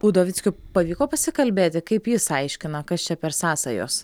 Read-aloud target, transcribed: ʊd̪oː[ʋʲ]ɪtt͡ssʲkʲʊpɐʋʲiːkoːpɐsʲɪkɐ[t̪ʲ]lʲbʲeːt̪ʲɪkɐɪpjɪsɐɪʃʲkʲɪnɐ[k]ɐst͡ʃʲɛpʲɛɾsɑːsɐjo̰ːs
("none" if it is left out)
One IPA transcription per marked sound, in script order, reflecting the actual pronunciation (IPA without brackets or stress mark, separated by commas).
ʋʲ, none, k